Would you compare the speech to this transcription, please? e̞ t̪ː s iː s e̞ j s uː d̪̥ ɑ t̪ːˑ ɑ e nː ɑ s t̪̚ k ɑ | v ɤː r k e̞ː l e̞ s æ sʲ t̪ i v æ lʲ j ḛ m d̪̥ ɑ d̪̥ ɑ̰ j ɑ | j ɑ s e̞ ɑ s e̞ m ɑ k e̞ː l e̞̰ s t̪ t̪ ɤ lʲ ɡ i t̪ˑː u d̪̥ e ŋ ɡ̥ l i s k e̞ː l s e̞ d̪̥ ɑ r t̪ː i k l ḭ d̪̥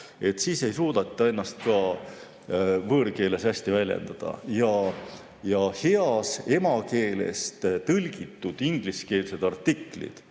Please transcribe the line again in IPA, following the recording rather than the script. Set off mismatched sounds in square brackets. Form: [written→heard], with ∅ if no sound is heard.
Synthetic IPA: e̞ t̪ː s iː s e̞ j s uː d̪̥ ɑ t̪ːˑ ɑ e nː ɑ s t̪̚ k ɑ | v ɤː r k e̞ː l e̞ s æ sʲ t̪ i v æ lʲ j ḛ [m→n] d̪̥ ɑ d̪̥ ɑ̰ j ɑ | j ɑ [s→h] e̞ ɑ s e̞ m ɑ k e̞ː l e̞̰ s t̪ t̪ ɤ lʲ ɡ i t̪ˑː u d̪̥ [e→i] ŋ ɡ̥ l i s k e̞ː l s e̞ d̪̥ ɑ r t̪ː i k l ḭ d̪̥

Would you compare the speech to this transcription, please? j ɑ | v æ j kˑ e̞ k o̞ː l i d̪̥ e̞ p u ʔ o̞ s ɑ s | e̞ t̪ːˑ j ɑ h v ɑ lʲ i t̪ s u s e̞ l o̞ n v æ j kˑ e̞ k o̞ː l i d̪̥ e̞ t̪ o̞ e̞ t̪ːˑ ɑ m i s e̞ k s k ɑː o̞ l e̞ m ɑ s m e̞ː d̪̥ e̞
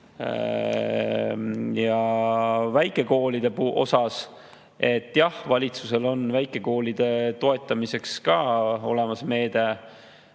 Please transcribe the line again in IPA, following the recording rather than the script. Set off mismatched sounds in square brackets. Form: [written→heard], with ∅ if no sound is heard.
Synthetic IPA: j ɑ | v æ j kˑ e̞ k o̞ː l i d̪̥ e̞ p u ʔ o̞ s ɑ s | e̞ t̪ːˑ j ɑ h v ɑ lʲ i t̪ s u s e̞ l o̞ n v æ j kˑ e̞ k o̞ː l i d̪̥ e̞ t̪ o̞ e̞ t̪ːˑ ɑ m i s e̞ k s k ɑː o̞ l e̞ m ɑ s m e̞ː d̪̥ e̞

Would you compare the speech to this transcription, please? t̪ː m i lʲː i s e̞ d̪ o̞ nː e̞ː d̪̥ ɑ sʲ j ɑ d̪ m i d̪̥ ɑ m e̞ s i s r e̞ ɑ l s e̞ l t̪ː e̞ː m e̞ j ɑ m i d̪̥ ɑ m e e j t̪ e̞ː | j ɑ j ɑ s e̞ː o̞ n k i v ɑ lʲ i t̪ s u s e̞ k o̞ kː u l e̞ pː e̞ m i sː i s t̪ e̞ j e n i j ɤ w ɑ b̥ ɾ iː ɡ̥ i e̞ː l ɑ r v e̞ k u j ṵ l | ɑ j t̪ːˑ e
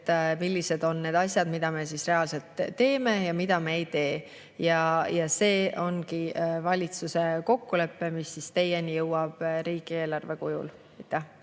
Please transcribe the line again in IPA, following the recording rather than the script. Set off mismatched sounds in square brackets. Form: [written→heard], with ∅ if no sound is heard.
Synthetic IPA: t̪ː m i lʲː i s e̞ d̪ o̞ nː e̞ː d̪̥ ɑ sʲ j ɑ d̪ m i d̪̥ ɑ m e̞ s i s r e̞ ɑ l s e̞ l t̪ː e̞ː m e̞ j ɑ m i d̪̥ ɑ m e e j t̪ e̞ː | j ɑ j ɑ s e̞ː o̞ n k i v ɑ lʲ i t̪ s u s e̞ k o̞ kː u l e̞ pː e̞ m i sː i s t̪ e̞ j e n i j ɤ w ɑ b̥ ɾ iː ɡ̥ i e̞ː l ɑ r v e̞ k u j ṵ l | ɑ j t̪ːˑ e

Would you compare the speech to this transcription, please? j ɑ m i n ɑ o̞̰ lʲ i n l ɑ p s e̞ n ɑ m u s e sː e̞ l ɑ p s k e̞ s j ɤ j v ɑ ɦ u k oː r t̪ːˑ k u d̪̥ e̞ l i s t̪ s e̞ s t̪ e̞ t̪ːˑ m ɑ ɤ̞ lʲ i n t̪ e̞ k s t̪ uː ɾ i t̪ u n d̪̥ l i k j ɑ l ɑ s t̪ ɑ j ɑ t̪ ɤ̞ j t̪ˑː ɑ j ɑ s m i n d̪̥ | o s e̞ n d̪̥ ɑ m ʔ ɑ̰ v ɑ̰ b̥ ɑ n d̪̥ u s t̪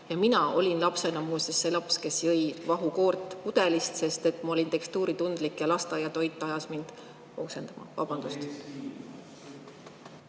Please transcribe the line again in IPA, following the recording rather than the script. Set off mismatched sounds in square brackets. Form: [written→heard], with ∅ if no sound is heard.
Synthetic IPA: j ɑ m i n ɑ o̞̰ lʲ i n l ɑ p s e̞ n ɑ m u s e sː e̞ l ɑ p s k e̞ s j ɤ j v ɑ ɦ u k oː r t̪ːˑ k u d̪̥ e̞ l i s t̪ s e̞ s t̪ e̞ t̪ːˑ m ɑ [ɤ̞→o̞] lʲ i n t̪ e̞ k s t̪ uː ɾ i t̪ u n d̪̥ l i k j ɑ l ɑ s t̪ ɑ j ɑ t̪ [ɤ̞→o̞] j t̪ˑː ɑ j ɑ s m i n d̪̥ | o s e̞ n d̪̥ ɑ m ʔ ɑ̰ v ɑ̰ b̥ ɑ n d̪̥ u s t̪

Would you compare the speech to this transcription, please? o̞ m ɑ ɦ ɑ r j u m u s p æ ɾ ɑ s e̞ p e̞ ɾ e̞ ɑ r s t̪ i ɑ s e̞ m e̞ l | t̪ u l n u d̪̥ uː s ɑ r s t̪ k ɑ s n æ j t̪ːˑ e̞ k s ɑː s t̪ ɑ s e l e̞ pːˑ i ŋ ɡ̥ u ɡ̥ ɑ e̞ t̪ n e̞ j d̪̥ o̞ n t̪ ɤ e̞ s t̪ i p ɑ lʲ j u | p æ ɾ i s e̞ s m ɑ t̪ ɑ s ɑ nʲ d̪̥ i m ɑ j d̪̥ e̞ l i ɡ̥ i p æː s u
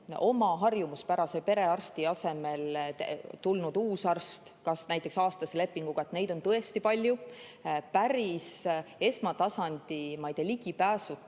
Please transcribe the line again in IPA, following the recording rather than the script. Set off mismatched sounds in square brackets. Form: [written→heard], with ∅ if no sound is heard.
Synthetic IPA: o̞ m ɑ ɦ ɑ r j u m u s p æ ɾ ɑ s e̞ p e̞ ɾ e̞ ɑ r s t̪ i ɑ s e̞ m e̞ l | t̪ u l n u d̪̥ uː s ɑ r s t̪ k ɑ s n æ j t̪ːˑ e̞ k s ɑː s t̪ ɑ s e l e̞ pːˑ i ŋ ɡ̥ u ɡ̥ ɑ e̞ t̪ n e̞ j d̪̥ o̞ n t̪ ɤ e̞ s t̪ i p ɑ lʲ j u | p æ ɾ i s e̞ s m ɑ t̪ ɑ s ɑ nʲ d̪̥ i m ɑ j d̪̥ e̞ l i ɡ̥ i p æː s u

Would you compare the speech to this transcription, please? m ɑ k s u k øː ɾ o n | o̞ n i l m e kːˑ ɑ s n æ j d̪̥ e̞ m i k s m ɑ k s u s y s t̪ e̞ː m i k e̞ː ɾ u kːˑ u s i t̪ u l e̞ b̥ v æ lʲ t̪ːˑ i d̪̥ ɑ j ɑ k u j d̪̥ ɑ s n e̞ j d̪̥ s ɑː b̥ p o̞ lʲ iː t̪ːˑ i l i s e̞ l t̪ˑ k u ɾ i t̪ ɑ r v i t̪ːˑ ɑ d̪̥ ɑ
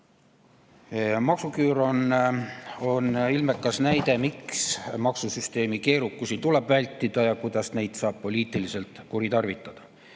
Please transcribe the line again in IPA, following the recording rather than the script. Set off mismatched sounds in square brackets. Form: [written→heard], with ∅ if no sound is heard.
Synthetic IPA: m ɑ k s u k [øː→yː] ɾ o n | o̞ n i l m e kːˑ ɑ s n æ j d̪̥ e̞ m i k s m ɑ k s u s y s t̪ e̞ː m i k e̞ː ɾ u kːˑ u s i t̪ u l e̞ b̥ v æ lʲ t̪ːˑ i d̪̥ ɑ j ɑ k u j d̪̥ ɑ s n e̞ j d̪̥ s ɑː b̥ p o̞ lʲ iː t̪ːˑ i l i s e̞ l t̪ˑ k u ɾ i t̪ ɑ r v i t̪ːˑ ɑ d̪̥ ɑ

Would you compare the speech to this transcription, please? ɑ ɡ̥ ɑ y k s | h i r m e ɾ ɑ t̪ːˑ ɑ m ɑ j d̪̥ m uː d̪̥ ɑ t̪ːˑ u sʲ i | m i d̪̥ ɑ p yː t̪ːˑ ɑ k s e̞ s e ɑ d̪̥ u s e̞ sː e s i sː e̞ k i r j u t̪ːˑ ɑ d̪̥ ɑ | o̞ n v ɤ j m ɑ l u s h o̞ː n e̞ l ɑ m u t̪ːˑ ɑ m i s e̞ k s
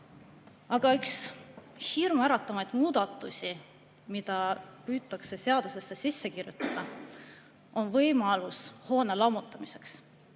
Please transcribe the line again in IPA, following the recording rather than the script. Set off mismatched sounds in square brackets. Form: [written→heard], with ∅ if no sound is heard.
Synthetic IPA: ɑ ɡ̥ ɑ y k s | h i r m [e→æ] ɾ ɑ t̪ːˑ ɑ m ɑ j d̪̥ m uː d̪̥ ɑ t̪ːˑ u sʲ i | m i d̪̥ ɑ p yː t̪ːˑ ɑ k s e̞ s e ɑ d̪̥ u s e̞ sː e s i sː e̞ k i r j u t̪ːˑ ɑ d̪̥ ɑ | o̞ n v ɤ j m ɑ l u s h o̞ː n e̞ l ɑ m u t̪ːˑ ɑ m i s e̞ k s

